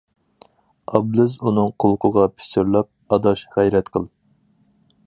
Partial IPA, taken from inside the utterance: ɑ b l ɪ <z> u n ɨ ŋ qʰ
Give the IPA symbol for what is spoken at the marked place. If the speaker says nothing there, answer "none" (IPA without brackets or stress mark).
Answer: z